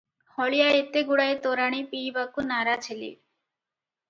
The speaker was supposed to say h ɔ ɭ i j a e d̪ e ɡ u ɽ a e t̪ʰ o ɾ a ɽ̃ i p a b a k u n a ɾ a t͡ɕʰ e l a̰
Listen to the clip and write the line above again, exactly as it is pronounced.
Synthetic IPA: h ɔ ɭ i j a e t̪ e ɡ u ɽ a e t̪ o ɾ a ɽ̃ i p i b a k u n a ɾ a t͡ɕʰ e l ḭ